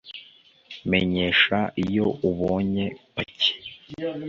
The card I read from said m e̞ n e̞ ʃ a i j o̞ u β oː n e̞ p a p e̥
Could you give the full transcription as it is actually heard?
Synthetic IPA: m e̞ ɲ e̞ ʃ a i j o̞ u β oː ɲ e̞ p a c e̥